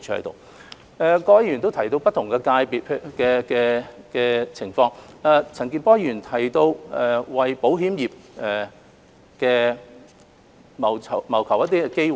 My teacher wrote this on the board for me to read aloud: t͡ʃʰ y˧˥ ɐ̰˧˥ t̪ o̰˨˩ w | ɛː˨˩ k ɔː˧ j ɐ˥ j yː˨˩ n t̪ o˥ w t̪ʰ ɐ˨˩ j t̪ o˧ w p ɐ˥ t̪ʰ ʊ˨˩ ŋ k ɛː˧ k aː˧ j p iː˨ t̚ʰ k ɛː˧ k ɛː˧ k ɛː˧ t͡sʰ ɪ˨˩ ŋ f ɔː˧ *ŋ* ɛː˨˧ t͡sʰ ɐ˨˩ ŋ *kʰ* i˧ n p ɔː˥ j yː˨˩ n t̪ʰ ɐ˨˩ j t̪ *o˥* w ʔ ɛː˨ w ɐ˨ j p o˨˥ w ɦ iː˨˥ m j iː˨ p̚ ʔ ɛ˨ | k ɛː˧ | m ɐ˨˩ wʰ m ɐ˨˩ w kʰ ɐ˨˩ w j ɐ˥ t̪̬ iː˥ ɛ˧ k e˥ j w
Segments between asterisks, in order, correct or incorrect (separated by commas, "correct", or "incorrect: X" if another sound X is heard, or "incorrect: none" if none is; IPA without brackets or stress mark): correct, incorrect: k, incorrect: o˧